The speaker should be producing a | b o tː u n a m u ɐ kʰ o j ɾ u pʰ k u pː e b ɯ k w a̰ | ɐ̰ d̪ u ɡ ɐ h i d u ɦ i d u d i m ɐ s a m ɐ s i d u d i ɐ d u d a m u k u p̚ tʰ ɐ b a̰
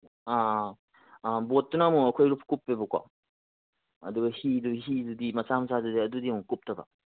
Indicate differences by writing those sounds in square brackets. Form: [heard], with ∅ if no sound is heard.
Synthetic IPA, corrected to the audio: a | b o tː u n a m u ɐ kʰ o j ɾ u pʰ k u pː e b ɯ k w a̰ | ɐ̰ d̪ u ɡ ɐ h i d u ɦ i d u d i m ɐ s a m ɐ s [a] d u d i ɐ d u d [i] m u k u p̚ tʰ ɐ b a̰

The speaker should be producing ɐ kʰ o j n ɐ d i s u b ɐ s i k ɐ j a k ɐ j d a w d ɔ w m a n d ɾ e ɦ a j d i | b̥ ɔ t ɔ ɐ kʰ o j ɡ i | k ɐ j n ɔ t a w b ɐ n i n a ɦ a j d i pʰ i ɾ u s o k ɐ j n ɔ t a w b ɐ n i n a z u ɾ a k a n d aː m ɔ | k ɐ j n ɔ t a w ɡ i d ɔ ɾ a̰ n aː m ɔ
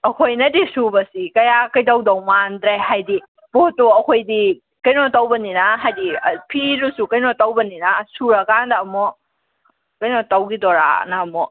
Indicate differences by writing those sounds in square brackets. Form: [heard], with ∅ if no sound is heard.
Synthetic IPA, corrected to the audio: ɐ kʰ o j n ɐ d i s u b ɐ s i k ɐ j a k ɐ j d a w d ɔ w m a n d ɾ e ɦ a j d i | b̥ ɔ t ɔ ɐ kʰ o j [d] i | k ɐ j n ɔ t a w b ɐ n i n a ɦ a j d i pʰ i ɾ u s [u] k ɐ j n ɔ t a w b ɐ n i n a [s] u ɾ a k a n d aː m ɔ | k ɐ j n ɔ t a w ɡ i d ɔ ɾ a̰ n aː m ɔ

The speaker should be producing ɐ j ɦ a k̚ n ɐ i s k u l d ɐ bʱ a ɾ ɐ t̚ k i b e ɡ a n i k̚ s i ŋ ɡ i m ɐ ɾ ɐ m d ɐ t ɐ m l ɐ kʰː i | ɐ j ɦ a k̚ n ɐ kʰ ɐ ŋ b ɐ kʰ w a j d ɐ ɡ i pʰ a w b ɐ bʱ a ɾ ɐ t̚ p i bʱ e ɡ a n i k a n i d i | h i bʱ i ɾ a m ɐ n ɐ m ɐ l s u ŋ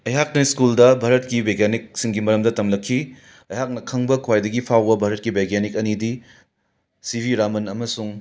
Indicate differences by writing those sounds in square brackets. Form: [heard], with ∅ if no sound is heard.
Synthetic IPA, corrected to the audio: ɐ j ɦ a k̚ n ɐ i s k u l d ɐ bʱ a ɾ ɐ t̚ k i b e ɡ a n i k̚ s i ŋ ɡ i m ɐ ɾ ɐ m d ɐ t ɐ m l ɐ kʰː i | ɐ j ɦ a k̚ n ɐ kʰ ɐ ŋ b ɐ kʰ w a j d ɐ ɡ i pʰ a w b ɐ bʱ a ɾ ɐ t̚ [k] i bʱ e ɡ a n i k [ɐ] n i d i | [s] i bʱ i ɾ a m ɐ n ɐ m ɐ [∅] s u ŋ

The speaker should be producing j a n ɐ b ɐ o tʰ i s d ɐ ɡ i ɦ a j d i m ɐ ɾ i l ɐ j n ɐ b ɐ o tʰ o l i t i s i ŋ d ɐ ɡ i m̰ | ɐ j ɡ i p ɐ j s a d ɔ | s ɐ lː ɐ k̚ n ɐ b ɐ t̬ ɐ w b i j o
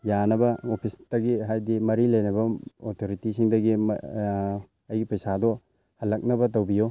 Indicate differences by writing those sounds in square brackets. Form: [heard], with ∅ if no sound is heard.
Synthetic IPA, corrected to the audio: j a n ɐ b ɐ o [pʰ] i s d ɐ ɡ i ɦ a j d i m ɐ ɾ i l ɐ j n ɐ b ɐ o tʰ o [ɾ] i t i s i ŋ d ɐ ɡ i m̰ | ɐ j ɡ i p ɐ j s a d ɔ | [h] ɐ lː ɐ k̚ n ɐ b ɐ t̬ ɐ w b i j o

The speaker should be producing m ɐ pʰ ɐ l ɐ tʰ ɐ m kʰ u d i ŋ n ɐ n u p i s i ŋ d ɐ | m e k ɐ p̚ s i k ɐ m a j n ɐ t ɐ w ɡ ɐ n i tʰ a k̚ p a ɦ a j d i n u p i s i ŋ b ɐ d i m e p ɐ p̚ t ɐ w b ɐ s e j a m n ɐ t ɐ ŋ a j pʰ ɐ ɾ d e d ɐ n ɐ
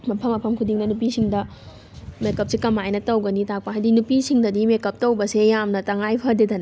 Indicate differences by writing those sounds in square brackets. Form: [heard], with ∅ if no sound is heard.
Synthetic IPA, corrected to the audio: m ɐ pʰ ɐ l ɐ [pʰ] ɐ m kʰ u d i ŋ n ɐ n u p i s i ŋ d ɐ | m e k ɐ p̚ s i k ɐ m a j n ɐ t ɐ w ɡ ɐ n i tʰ a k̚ p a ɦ a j d i n u p i s i ŋ [d] ɐ d i m e [k] ɐ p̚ t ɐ w b ɐ s e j a m n ɐ t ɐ ŋ a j pʰ ɐ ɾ d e d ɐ n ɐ

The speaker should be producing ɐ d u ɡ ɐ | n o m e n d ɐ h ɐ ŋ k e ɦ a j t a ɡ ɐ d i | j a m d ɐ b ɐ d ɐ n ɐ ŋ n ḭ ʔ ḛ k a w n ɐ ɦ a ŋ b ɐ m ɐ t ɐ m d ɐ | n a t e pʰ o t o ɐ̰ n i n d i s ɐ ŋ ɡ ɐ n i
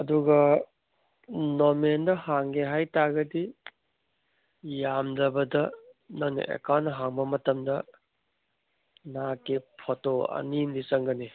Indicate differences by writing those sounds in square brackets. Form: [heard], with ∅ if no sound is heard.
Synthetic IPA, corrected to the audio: ɐ d u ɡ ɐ | n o m e n d ɐ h [a] ŋ [ɡ] e ɦ a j t a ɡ ɐ d i | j a m d ɐ b ɐ d ɐ n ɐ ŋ n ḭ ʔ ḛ k a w n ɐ ɦ a ŋ b ɐ m ɐ t ɐ m d ɐ | n a [k] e pʰ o t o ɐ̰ n i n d i s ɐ ŋ ɡ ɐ n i

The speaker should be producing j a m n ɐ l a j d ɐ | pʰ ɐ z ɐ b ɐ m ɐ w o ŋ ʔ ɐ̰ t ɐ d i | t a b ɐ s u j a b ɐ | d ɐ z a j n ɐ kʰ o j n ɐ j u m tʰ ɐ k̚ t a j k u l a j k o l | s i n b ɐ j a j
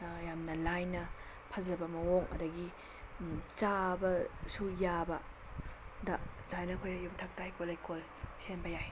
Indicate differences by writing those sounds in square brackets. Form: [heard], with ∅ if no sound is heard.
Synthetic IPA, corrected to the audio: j a m n ɐ l a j [n] ɐ | pʰ ɐ z ɐ b ɐ m ɐ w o ŋ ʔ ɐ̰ [d] ɐ [ɡ] i | [t͡ʃ] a b ɐ s u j a b ɐ | d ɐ z a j n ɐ kʰ o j n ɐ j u m tʰ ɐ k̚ t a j k [o] l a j k o l | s [e] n b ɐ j a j

